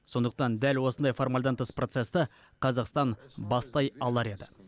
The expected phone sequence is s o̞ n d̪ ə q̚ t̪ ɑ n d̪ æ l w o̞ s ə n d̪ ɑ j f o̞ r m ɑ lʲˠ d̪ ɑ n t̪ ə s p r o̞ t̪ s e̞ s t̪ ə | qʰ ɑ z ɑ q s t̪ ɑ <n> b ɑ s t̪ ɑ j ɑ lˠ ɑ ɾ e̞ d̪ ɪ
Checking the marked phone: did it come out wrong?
no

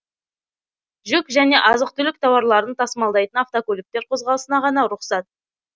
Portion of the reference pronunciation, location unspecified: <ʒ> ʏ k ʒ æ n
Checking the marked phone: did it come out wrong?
no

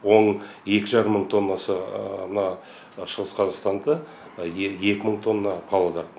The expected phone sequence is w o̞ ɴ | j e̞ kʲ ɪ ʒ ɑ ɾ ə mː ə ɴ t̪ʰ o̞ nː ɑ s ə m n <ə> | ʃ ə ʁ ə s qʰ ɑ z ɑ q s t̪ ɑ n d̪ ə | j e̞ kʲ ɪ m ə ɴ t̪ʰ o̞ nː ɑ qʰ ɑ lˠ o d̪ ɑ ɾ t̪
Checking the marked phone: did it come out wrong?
yes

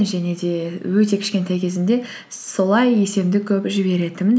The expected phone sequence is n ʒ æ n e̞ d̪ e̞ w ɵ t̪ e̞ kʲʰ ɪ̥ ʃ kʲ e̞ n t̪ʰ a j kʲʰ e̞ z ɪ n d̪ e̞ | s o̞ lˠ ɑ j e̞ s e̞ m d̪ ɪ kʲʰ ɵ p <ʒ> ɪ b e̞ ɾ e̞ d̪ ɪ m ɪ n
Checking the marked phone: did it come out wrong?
no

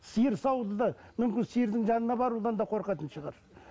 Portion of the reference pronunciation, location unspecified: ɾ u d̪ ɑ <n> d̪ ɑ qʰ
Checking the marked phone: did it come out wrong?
no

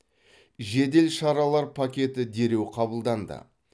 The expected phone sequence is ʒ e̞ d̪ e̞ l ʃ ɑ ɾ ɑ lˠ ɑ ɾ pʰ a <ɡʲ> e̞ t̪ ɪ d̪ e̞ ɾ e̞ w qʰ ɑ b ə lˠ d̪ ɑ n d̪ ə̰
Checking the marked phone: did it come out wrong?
yes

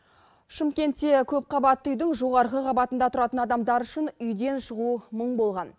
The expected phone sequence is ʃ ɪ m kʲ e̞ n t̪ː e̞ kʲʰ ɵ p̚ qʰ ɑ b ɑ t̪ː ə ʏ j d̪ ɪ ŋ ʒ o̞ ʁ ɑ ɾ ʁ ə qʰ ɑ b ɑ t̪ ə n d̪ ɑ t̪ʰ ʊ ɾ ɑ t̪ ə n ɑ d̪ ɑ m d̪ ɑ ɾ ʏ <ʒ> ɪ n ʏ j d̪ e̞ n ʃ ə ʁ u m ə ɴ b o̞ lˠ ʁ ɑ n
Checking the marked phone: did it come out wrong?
yes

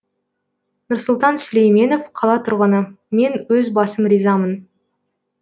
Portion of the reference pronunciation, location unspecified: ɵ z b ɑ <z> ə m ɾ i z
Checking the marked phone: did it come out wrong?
yes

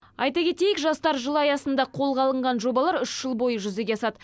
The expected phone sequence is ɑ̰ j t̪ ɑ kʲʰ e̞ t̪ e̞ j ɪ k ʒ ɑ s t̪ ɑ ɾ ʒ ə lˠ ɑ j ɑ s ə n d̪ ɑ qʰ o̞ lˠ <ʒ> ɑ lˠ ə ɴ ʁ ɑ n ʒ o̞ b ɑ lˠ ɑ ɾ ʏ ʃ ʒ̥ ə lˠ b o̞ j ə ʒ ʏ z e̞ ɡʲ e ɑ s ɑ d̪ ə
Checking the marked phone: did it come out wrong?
yes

